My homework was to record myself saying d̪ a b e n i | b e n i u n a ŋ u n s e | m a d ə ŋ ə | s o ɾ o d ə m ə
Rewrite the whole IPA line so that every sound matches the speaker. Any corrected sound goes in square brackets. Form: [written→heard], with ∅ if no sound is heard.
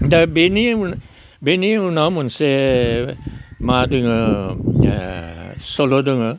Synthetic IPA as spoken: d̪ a b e n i | b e n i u n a [ŋ→m] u n s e | m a d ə ŋ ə | s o [ɾ→l] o d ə [m→ŋ] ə